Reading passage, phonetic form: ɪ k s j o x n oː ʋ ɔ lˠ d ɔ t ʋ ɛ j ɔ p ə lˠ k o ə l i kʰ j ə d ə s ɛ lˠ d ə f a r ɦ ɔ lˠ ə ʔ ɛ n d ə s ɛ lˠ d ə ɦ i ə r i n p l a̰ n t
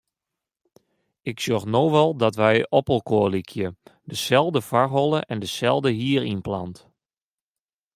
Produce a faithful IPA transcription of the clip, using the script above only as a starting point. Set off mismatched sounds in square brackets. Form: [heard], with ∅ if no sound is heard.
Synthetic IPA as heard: ɪ k s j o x n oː ʋ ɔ lˠ d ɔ t ʋ ɛ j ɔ p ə lˠ k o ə l i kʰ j ə d ə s ɛ lˠ d ə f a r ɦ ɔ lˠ ə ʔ ɛ n d ə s ɛ lˠ d ə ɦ i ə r i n p l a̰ n t

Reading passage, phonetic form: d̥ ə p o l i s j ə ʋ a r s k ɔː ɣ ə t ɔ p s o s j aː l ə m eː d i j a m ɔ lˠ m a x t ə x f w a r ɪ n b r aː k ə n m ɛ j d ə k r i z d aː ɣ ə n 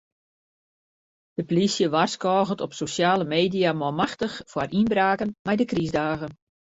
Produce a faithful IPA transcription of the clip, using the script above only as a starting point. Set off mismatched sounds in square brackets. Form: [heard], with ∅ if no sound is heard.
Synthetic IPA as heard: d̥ ə p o l i s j ə ʋ a r s k ɔː ɣ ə t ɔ p s o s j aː l ə m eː d i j a m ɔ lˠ m a x t ə x f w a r [i] n b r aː k ə n m ɛ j d ə k r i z d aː ɣ ə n

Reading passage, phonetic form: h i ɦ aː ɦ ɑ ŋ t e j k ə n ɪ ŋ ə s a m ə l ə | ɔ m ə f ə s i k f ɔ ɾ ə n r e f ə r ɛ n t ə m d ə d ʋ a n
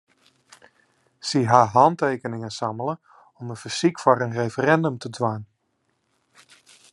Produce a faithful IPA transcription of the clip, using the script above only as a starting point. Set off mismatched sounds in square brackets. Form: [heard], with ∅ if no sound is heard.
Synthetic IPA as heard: [s] i ɦ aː ɦ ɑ [n] t e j k ə n ɪ ŋ ə s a m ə l ə | ɔ m ə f ə s i k f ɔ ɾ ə n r e f ə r ɛ n [d] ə m [t] ə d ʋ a n

